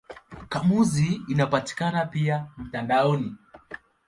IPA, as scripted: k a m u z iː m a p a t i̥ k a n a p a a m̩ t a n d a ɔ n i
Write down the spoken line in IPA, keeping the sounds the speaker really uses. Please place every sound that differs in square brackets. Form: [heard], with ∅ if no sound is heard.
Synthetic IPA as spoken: k a m u z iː [n] a p a t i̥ k a n a p [i] a m̩ t a n d a ɔ n i